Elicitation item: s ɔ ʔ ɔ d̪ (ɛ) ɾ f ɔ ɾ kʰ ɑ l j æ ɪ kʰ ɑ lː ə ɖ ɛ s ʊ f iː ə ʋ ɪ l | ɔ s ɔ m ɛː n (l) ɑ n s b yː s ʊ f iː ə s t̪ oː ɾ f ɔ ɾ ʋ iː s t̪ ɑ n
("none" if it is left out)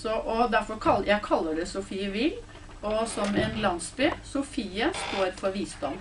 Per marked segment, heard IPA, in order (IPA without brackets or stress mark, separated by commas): æ, l